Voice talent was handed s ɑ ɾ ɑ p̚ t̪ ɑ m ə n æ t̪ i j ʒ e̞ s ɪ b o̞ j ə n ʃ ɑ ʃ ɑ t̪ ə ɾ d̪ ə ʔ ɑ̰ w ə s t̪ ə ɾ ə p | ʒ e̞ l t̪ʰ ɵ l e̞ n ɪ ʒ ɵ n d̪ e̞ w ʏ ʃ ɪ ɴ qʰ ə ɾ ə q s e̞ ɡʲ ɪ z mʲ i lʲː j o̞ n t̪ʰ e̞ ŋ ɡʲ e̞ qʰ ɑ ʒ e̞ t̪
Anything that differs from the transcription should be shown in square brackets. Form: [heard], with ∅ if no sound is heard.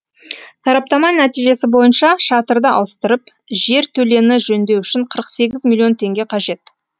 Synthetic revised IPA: s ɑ ɾ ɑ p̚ t̪ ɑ m [ɑ] n æ t̪ i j ʒ e̞ s ɪ b o̞ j ə n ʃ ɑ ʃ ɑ t̪ ə ɾ d̪ ə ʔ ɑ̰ w ə s t̪ ə ɾ ə p | ʒ e̞ [ɾ] t̪ʰ ɵ l e̞ n ɪ ʒ ɵ n d̪ e̞ w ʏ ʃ ɪ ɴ qʰ ə ɾ ə q s e̞ ɡʲ ɪ z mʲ i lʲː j o̞ n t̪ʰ e̞ ŋ ɡʲ e̞ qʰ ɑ ʒ e̞ t̪